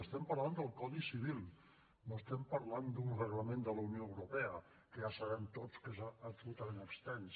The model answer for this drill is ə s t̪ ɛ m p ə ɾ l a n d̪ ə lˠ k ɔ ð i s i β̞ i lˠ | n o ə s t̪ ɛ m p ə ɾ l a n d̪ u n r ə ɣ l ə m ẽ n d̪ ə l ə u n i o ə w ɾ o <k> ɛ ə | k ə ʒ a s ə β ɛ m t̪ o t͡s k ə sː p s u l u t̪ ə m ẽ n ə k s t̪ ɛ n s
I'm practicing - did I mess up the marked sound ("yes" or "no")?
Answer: yes